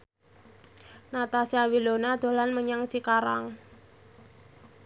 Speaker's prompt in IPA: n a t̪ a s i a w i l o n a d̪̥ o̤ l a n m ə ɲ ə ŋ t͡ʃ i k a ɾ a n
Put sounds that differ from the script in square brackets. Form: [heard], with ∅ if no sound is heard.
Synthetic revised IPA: n a t̪ a s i a w i l o n a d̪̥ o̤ l a n m ə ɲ [a] ŋ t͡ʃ i k a ɾ a [ŋ]